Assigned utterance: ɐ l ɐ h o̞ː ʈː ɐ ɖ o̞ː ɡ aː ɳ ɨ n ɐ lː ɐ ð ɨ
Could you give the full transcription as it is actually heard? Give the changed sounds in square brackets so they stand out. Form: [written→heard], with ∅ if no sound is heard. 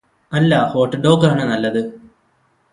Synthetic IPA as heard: ɐ [l→lː] ɐ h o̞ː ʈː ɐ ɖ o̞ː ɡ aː ɳ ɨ n ɐ lː ɐ ð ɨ